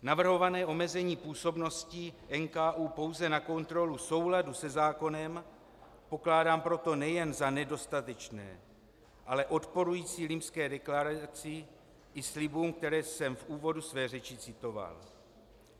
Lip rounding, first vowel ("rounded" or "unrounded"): unrounded